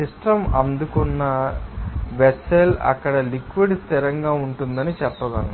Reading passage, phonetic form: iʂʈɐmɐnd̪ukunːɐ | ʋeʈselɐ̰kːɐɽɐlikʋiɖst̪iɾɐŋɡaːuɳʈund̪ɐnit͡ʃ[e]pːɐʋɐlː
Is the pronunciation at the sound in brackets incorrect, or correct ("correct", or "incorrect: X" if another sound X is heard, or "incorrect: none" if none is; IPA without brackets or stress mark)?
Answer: incorrect: ɛ